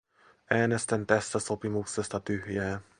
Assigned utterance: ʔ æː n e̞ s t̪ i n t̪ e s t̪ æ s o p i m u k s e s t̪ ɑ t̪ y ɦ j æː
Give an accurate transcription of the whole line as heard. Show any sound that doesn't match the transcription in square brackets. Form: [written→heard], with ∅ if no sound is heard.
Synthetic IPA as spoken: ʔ æː n e̞ s t̪ [i→æ] n t̪ [e→æ] s t̪ æ s o p i m u k s e s t̪ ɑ t̪ y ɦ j æː